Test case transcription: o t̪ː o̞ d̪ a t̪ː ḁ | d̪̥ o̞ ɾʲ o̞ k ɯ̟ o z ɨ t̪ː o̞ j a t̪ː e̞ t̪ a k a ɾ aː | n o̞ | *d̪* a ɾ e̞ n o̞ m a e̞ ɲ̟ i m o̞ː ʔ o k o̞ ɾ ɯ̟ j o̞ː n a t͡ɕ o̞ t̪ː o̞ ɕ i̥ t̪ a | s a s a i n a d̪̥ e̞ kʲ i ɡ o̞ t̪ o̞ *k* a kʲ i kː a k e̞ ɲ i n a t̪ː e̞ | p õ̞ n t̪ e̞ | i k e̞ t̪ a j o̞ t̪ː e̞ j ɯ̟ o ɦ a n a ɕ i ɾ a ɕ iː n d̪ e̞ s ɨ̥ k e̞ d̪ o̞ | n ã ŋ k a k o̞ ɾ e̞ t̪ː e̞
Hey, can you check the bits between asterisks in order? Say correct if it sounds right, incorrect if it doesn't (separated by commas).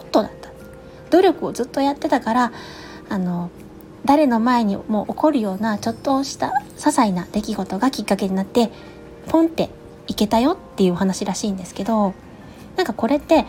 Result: correct, incorrect